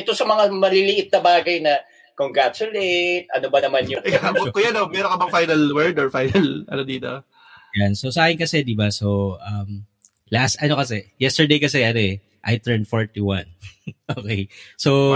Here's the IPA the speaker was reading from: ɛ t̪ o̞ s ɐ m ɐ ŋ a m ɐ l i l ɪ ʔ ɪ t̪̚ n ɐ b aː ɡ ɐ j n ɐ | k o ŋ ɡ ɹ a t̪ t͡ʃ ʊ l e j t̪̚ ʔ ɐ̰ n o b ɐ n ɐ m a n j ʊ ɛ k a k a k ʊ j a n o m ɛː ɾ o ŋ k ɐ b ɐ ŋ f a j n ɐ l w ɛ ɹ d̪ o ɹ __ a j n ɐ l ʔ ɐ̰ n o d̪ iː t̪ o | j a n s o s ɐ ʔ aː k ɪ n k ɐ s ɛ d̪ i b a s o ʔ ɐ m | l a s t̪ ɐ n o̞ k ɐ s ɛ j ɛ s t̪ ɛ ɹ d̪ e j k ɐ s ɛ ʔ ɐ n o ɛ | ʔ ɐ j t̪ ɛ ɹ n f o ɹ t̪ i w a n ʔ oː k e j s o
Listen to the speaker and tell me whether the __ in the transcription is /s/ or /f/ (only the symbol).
f